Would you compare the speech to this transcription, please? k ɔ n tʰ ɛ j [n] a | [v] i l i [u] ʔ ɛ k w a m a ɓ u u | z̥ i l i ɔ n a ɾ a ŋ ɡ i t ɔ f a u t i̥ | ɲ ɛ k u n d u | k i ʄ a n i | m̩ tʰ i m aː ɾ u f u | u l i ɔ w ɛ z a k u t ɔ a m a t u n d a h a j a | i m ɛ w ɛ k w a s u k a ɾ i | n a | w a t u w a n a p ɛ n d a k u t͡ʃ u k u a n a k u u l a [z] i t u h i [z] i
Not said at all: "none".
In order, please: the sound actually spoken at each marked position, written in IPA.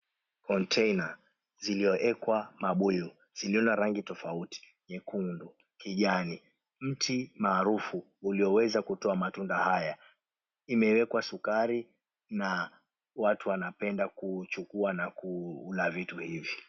n, z, ɔ, v, v

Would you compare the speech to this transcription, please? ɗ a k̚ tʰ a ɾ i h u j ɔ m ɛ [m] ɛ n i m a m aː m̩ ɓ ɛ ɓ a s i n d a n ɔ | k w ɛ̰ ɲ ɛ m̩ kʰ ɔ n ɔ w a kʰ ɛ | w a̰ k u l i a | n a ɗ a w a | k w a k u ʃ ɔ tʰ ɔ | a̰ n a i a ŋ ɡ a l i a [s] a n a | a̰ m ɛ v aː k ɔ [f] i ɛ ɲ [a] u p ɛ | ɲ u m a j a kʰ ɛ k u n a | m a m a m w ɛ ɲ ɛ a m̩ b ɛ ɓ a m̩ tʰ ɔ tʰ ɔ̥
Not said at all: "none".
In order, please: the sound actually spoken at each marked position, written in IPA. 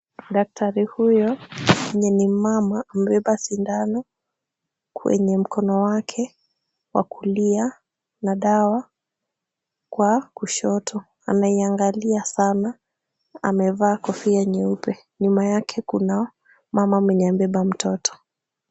ɲ, s, f, ɛ

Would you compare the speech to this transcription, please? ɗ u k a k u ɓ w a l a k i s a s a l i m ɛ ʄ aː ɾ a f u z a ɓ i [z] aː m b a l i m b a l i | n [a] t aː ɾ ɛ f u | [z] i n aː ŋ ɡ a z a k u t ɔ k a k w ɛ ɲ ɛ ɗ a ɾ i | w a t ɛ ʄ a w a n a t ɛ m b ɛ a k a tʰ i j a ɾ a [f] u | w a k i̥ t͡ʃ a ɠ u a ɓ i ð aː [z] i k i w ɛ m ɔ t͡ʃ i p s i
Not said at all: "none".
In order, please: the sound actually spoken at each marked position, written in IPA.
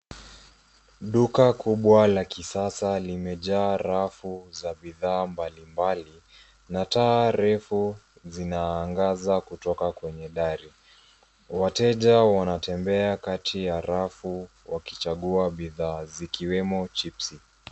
ð, a, z, f, z

